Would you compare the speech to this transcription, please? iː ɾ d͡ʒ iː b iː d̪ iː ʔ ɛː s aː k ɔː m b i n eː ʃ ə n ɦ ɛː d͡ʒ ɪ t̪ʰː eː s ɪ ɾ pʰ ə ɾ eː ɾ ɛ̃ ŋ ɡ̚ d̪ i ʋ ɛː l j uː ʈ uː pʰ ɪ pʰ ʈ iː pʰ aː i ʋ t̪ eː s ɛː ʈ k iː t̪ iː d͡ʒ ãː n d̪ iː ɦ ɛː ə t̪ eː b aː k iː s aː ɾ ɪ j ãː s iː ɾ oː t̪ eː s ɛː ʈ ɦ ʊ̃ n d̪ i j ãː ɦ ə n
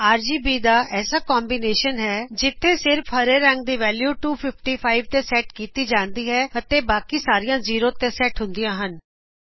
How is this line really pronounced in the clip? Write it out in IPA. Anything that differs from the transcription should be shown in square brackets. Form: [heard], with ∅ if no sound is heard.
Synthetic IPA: [aː] ɾ d͡ʒ iː b iː d̪ [aː] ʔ ɛː s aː k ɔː m b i n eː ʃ ə n ɦ ɛː d͡ʒ ɪ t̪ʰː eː s ɪ ɾ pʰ ə ɾ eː ɾ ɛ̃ ŋ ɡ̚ d̪ [iː] ʋ ɛː l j uː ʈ uː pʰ ɪ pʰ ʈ iː pʰ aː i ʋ t̪ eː s ɛː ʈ k iː t̪ iː d͡ʒ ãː n d̪ iː ɦ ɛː ə t̪ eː b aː k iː s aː ɾ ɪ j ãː [z] iː ɾ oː t̪ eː s ɛː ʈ ɦ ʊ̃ n d̪ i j ãː ɦ ə n

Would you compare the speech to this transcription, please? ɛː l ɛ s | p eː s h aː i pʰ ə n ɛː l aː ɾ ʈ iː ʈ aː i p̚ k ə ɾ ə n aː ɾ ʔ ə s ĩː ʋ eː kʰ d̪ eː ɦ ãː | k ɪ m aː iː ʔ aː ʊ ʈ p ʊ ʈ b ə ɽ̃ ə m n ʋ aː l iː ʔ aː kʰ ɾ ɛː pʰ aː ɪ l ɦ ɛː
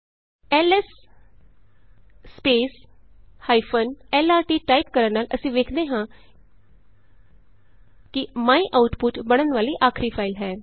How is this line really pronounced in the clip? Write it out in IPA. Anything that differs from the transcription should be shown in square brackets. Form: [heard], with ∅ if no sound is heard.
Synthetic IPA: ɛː l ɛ s | p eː s h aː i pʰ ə n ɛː l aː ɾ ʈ iː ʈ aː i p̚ k ə ɾ ə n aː [l] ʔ ə s ĩː ʋ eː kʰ d̪ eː ɦ ãː | k ɪ m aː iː ʔ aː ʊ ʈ p ʊ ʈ b ə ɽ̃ ə [∅] n ʋ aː l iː ʔ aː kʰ ɾ [iː] pʰ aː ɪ l ɦ ɛː

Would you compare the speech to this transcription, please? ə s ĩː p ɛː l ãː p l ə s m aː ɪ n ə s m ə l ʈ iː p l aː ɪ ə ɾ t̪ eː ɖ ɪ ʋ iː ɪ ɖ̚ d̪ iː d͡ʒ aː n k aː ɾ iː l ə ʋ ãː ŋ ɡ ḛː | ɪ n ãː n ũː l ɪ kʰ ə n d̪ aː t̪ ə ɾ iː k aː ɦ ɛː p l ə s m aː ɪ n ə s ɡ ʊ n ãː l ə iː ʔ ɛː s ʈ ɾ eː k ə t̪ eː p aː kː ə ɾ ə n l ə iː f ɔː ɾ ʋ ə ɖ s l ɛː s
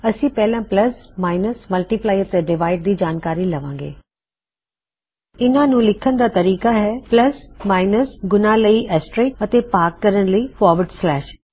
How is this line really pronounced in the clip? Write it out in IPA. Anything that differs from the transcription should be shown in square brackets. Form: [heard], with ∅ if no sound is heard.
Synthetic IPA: ə s ĩː p ɛː l ãː p l ə s m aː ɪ n ə s m ə l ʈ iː p l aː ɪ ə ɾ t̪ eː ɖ ɪ ʋ [aː] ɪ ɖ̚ d̪ iː d͡ʒ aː n k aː ɾ iː l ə ʋ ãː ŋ ɡ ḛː | ɪ n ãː n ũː l ɪ kʰ ə n d̪ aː t̪ ə ɾ iː k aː ɦ ɛː p l ə s m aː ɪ n ə s ɡ ʊ n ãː l ə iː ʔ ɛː s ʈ ɾ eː k ə t̪ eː p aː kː ə ɾ ə n l ə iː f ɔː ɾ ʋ ə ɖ s l ɛː [ʃ]

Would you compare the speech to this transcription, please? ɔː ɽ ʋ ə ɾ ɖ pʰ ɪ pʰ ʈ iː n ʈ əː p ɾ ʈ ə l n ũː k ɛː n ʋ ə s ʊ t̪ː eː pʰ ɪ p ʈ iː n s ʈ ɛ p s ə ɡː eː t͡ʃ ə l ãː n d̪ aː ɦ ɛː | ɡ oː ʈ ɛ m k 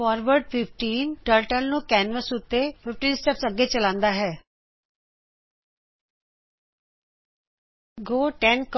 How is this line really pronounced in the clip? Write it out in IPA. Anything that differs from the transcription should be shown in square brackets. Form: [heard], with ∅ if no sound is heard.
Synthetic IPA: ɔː [ɾ] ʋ ə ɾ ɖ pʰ ɪ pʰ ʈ iː n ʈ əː [∅] ɾ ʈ ə l n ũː k ɛː n ʋ ə s ʊ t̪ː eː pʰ ɪ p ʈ iː n s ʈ ɛ p s ə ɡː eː t͡ʃ ə l ãː n d̪ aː ɦ ɛː | ɡ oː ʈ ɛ [n] k

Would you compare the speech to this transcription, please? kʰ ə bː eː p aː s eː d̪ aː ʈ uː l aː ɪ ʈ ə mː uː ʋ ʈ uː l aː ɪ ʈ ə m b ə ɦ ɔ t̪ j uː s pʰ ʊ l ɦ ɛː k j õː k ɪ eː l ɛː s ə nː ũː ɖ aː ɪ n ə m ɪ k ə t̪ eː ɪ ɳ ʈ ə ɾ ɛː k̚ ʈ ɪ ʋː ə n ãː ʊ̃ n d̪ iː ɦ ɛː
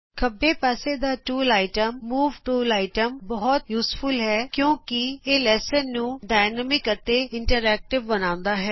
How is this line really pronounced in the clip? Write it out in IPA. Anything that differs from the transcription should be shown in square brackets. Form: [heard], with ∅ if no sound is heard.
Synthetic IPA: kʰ ə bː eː p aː s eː d̪ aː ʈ uː l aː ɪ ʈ ə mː uː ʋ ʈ uː l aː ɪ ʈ ə m b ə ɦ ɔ t̪ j uː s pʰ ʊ l ɦ ɛː k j õː k ɪ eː l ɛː s ə nː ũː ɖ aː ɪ n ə m ɪ k ə t̪ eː ɪ ɳ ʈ ə ɾ ɛː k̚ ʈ ɪ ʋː ə n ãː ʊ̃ n d̪ [aː] ɦ ɛː

